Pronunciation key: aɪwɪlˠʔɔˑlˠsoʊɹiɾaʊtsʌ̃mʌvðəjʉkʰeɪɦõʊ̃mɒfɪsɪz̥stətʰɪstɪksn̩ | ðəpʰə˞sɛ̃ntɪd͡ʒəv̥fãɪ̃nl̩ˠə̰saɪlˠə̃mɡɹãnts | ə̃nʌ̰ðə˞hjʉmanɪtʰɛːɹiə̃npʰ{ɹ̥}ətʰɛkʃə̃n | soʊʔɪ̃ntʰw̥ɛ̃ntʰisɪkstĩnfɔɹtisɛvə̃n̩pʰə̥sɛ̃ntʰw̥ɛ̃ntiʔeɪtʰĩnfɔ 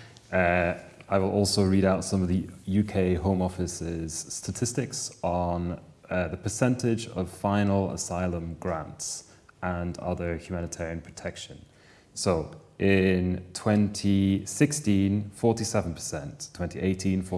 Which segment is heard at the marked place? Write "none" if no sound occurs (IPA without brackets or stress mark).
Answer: ɹ̥